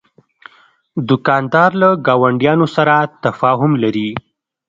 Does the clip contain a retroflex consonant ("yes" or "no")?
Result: yes